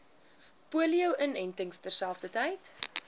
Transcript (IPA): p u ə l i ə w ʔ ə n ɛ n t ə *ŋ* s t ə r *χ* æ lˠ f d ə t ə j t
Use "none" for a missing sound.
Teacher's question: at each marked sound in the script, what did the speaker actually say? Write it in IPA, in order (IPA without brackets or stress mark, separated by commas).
ŋ, s